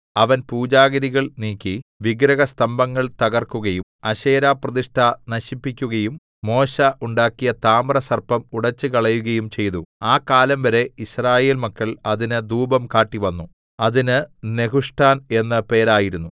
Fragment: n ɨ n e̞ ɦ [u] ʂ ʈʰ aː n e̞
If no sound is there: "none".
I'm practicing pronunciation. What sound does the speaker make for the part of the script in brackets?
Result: u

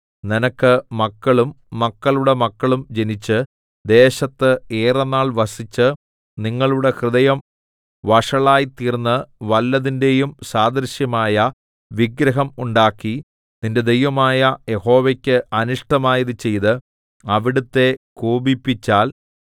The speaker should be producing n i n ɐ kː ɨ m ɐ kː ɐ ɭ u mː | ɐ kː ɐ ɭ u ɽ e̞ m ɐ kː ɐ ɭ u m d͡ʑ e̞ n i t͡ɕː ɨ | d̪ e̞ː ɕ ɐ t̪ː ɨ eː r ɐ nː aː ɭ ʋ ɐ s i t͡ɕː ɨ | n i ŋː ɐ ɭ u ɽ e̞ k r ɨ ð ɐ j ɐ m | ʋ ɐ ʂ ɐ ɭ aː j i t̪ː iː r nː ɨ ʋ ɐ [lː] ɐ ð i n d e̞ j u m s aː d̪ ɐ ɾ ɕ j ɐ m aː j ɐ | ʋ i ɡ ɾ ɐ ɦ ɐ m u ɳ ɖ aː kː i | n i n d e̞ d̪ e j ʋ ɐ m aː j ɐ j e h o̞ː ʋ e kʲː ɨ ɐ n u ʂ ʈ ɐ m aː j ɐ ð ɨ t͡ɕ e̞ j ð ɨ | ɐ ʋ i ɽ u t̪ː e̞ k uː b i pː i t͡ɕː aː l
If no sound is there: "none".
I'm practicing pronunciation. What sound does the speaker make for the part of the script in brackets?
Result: lː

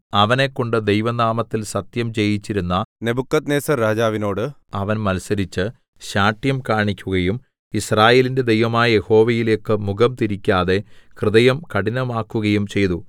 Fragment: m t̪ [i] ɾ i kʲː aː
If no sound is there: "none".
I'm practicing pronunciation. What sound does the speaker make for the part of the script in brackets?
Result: i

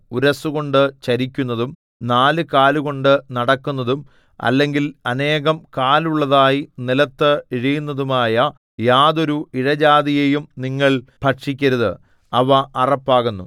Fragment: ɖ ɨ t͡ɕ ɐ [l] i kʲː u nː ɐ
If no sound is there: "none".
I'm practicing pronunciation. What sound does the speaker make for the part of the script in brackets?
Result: ɾ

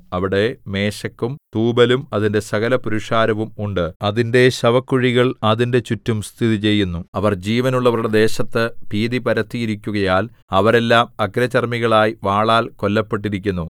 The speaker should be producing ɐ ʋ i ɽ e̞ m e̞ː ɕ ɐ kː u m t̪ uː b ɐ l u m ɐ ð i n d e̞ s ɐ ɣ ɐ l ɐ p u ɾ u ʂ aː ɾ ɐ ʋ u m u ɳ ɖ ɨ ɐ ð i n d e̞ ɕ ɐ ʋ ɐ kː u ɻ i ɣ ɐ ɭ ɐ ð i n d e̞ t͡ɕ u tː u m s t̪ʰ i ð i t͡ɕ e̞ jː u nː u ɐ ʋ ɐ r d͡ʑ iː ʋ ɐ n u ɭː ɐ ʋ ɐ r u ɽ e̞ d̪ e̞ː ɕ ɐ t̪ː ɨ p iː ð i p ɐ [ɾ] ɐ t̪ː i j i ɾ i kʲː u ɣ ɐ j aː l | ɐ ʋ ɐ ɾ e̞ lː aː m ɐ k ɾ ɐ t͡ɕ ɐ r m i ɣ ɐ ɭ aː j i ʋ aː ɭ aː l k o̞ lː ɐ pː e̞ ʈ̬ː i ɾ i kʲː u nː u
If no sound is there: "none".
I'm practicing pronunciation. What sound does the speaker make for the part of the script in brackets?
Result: ɾ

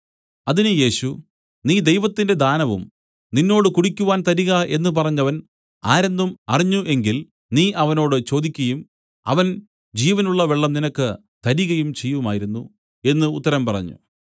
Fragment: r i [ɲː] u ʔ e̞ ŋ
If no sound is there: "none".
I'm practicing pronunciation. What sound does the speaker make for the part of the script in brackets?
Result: ɲː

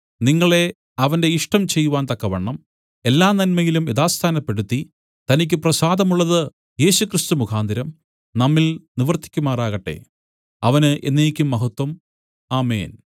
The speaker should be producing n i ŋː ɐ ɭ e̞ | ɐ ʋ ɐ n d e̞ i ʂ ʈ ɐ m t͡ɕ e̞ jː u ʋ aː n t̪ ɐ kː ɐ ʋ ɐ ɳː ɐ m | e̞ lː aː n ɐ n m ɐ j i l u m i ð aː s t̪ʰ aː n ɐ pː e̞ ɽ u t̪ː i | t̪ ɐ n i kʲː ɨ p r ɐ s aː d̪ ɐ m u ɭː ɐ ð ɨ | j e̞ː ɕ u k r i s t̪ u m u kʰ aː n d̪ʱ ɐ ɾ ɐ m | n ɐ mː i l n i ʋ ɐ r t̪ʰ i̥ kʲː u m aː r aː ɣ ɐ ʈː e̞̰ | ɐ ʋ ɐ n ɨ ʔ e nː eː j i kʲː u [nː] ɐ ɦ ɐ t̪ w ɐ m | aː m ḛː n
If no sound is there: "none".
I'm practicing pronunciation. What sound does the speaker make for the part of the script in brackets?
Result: mː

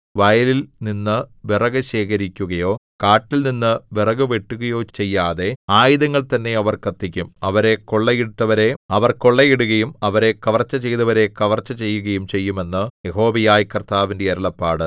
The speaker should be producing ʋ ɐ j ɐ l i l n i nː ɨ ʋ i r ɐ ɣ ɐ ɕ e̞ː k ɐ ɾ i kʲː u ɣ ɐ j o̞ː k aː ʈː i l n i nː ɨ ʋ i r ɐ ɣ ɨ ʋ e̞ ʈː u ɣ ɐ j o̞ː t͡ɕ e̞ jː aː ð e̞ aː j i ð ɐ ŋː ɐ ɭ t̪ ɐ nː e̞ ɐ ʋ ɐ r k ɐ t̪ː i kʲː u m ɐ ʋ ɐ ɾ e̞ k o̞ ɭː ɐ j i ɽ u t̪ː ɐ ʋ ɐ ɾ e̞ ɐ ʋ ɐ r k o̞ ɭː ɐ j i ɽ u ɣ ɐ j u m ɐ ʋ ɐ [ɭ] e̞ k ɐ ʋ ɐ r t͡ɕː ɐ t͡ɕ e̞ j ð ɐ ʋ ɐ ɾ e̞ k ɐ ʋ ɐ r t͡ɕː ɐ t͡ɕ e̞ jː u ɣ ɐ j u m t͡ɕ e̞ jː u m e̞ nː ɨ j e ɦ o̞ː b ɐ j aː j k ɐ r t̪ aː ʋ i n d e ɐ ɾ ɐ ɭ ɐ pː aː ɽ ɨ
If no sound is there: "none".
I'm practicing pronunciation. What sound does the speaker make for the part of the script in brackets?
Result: ɾ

